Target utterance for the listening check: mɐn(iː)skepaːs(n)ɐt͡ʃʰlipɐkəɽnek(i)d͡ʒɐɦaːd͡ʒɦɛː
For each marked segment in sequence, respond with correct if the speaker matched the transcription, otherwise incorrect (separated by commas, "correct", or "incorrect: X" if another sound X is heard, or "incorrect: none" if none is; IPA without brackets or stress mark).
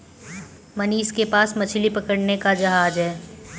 correct, incorrect: m, incorrect: a